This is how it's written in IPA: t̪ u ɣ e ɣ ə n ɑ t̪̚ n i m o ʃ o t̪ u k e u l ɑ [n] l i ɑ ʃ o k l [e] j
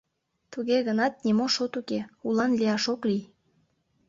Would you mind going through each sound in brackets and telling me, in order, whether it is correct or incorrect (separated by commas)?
correct, incorrect